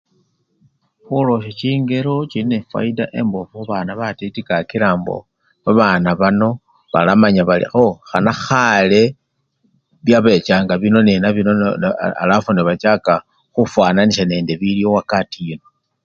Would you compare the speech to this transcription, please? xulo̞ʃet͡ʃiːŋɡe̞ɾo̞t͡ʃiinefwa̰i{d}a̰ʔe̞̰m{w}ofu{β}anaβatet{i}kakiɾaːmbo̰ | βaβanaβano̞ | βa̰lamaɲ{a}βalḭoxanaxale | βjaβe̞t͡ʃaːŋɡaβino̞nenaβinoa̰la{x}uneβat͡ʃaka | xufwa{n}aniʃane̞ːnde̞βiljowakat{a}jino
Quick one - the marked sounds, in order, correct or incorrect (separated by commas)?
correct, incorrect, correct, correct, correct, incorrect, correct, incorrect